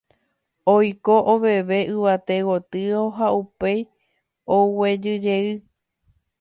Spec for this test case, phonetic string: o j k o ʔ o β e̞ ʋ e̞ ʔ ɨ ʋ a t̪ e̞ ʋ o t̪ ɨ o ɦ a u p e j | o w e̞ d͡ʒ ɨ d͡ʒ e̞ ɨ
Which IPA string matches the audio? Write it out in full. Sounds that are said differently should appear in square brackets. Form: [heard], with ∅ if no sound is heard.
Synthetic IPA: o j k o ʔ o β e̞ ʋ e̞ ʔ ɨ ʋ a t̪ e̞ [w] o t̪ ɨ o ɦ a u p e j | o w e̞ d͡ʒ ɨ d͡ʒ e̞ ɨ

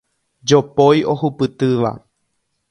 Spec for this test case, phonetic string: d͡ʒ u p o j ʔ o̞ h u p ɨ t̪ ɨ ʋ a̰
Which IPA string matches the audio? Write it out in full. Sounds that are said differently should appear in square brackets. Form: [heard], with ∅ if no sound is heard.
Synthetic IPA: d͡ʒ [o] p o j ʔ o̞ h u p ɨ t̪ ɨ ʋ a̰

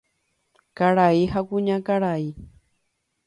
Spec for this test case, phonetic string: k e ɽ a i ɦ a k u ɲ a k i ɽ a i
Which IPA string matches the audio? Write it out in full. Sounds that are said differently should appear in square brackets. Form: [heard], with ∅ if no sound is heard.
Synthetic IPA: k [a] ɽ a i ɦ a k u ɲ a k [a] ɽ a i

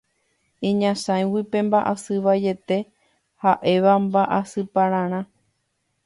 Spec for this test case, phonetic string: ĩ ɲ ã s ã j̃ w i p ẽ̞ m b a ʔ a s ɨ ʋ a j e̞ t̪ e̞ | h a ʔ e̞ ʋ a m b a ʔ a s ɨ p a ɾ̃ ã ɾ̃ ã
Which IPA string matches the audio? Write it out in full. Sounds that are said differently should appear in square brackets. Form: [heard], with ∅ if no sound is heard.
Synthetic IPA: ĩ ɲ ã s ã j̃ w i p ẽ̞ m b a ʔ a s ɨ ʋ a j e̞ t̪ e̞ | h a ʔ e̞ ʋ a m b a ʔ a s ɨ p a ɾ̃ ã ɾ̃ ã

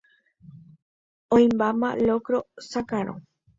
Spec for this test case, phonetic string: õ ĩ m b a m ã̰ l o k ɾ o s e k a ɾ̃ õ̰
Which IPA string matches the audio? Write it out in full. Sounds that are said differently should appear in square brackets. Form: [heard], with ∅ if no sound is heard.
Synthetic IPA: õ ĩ m b a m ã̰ l o k ɾ o s [a] k a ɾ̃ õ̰

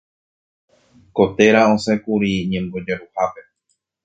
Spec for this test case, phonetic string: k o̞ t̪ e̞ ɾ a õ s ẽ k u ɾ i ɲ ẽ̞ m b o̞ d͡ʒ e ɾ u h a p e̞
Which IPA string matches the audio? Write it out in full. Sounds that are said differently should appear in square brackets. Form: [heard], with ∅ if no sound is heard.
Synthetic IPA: k o̞ t̪ e̞ ɾ a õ s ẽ k u ɾ i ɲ ẽ̞ m b o̞ d͡ʒ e ɾ u h a p e̞

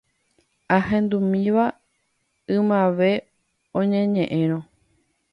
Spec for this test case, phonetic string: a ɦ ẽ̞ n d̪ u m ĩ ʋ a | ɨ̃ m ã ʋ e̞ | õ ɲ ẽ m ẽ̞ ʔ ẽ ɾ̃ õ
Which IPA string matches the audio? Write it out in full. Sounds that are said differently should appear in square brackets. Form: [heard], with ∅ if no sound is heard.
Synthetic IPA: a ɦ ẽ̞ n d̪ u m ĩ ʋ a | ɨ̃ m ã ʋ e̞ | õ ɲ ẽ [ɲ] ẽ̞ ʔ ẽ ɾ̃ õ

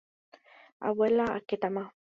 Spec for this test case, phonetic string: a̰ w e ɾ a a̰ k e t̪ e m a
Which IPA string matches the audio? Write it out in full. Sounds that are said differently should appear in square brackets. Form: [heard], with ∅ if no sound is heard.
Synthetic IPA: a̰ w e [l] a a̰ k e t̪ [a] m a

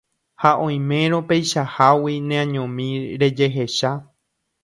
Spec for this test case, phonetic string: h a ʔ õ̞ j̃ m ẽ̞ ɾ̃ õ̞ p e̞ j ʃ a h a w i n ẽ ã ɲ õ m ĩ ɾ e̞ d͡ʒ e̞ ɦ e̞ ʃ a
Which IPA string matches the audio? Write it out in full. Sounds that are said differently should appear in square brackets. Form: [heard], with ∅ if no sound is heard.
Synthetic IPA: h a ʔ õ̞ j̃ m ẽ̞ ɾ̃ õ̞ p e̞ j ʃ a h a w i n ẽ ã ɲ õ m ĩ ɾ e̞ d͡ʒ e̞ ɦ e̞ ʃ a

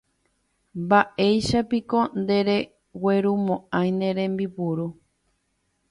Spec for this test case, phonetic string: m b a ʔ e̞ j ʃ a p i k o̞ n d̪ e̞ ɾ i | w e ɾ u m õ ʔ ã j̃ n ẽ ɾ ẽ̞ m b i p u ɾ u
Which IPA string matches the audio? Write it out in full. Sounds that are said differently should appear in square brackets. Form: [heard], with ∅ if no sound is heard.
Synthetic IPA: m b a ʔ e̞ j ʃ a p i k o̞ n d̪ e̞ ɾ [e] | w e ɾ u m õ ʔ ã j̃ n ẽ ɾ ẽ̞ m b i p u ɾ u

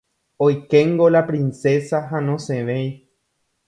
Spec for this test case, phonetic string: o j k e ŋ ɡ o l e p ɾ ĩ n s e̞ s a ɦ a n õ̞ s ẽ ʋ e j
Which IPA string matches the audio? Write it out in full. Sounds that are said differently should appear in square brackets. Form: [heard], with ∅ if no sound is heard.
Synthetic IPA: o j k e ŋ ɡ o l [a] p ɾ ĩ n s e̞ s a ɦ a n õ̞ s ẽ ʋ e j

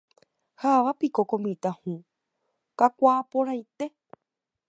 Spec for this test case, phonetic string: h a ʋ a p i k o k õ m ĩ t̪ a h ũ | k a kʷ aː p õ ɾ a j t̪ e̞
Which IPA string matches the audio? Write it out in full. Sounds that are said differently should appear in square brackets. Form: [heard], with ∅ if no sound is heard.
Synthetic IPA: h a ʋ a p i k o k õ m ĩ t̪ a h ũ | k a kʷ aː p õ ɾ a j t̪ e̞

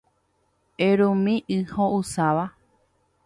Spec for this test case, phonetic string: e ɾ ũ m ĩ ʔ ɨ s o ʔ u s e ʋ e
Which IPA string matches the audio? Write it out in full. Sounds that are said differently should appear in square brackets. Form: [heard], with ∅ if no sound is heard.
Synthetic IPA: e ɾ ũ m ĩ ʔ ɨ [h] o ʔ u s [a] ʋ [a]

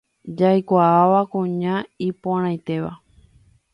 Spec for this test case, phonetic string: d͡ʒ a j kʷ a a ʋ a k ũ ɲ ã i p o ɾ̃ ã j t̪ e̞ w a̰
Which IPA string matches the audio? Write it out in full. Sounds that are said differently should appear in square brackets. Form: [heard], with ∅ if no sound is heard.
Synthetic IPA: d͡ʒ a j kʷ a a ʋ a k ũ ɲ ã i p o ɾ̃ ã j t̪ e̞ [ʋ] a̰

